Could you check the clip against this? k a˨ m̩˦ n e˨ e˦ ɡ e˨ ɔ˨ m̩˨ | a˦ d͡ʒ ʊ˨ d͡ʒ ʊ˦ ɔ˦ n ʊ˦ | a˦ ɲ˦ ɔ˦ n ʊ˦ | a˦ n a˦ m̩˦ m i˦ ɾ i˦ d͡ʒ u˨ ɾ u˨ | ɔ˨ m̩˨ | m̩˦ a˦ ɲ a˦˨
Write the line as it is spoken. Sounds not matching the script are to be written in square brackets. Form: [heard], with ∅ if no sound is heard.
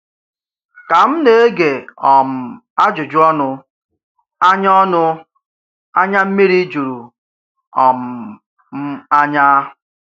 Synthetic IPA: k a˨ m̩˦ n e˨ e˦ ɡ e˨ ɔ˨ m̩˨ | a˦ d͡ʒ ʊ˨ d͡ʒ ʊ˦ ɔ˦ n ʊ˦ | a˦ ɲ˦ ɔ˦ n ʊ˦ | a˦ [ɲ] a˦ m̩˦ m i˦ ɾ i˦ d͡ʒ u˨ ɾ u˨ | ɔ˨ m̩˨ | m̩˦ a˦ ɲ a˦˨